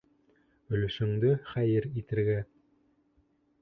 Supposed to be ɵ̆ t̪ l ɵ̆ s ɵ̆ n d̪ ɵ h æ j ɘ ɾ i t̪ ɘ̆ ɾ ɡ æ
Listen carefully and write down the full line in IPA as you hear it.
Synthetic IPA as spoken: ɵ̆ l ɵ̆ ʃ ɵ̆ ŋ d̪ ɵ χ æ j ɘ ɾ i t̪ ɘ̆ ɾ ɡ æ